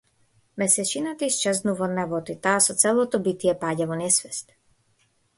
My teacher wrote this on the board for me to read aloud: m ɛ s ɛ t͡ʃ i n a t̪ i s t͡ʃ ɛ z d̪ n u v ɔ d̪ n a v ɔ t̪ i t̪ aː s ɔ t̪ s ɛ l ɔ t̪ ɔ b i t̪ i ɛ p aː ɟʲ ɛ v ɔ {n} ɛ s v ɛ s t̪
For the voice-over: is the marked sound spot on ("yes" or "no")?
yes